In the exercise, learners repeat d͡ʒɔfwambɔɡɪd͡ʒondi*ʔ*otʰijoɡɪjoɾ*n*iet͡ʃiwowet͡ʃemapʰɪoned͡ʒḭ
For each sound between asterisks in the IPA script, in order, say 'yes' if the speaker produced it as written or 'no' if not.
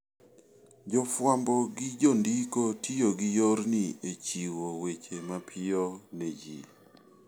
no, yes

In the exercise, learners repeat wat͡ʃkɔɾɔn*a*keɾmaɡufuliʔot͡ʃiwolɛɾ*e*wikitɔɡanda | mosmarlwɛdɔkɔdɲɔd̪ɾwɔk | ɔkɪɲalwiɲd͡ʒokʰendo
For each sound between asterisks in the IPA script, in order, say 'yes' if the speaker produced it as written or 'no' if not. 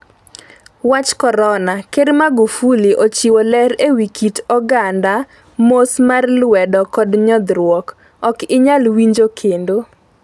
yes, yes

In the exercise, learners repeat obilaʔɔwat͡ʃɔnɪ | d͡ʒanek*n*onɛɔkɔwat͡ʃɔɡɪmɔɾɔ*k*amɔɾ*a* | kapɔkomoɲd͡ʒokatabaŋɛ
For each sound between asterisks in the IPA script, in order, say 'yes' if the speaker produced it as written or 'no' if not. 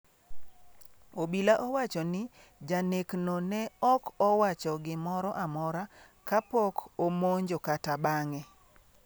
yes, no, yes

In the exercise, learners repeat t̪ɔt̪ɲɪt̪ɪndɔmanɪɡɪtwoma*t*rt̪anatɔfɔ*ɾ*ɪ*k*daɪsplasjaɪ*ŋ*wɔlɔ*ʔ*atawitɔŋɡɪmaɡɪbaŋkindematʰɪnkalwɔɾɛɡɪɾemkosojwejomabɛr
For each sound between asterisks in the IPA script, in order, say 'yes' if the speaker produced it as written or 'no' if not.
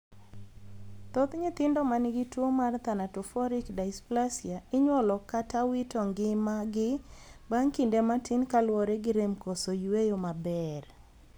no, yes, yes, no, no

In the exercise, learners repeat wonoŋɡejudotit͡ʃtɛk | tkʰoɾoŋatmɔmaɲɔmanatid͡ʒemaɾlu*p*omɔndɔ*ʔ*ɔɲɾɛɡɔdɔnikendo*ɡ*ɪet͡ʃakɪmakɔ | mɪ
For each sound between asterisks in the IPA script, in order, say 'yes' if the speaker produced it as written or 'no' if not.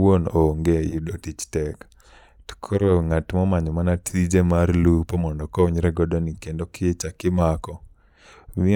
yes, no, no

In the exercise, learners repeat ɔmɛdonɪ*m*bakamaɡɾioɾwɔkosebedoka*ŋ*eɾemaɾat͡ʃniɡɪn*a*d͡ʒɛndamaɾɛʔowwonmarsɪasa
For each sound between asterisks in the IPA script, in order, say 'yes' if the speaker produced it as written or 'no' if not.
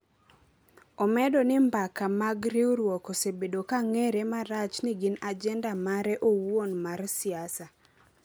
yes, yes, yes

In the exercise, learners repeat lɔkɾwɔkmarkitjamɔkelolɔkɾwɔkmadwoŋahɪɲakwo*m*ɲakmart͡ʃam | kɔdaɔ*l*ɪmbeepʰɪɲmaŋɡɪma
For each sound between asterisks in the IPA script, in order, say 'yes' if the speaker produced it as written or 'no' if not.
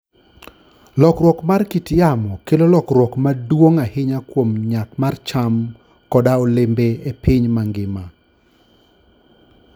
yes, yes

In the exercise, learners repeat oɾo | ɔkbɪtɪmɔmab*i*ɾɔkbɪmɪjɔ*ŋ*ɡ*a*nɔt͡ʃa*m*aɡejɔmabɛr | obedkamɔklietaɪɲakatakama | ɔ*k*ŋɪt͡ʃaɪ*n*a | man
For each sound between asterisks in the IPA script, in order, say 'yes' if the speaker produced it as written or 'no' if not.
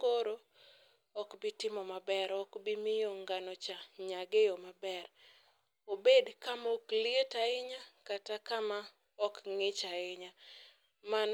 no, yes, yes, no, yes, no

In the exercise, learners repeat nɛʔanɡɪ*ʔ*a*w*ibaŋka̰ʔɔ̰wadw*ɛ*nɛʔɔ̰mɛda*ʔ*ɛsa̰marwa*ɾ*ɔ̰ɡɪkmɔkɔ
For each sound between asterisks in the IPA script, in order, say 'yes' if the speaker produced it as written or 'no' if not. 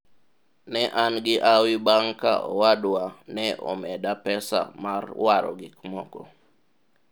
yes, yes, no, no, yes

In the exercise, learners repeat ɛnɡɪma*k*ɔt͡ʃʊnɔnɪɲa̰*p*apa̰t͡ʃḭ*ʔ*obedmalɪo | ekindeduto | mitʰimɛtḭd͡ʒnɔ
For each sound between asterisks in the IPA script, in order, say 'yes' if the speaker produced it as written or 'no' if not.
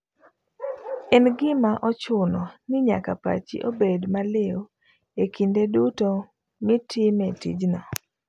no, no, yes

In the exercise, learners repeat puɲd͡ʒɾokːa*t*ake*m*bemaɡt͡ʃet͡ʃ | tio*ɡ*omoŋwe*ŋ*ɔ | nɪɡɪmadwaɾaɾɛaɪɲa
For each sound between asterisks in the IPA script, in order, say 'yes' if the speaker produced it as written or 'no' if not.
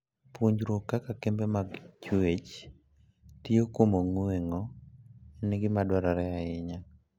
no, yes, no, yes

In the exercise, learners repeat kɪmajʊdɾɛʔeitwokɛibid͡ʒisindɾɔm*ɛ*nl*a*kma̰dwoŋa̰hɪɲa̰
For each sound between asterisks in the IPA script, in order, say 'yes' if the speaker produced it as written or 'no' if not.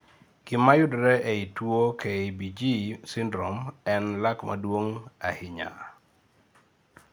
yes, yes

